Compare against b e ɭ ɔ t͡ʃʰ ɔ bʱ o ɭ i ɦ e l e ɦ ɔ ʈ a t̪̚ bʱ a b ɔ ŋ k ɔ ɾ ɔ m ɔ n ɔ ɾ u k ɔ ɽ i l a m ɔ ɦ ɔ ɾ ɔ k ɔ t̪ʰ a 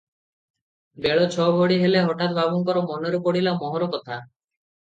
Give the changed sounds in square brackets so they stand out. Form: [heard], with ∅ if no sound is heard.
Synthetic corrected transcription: b e ɭ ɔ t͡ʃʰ ɔ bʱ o [ɽ] i ɦ e l e ɦ ɔ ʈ a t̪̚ bʱ a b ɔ ŋ k ɔ ɾ ɔ m ɔ n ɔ ɾ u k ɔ ɽ i l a m ɔ ɦ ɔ ɾ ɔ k ɔ t̪ʰ a